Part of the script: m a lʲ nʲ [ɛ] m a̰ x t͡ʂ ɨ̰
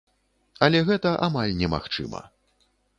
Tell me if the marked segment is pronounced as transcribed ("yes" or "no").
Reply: yes